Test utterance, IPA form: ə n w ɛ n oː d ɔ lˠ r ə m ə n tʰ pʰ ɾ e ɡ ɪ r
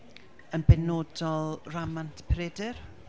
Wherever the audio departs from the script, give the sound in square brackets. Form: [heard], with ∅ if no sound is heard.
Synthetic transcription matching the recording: ə n [b] ɛ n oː d ɔ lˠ r [a] m [a] n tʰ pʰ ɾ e [d] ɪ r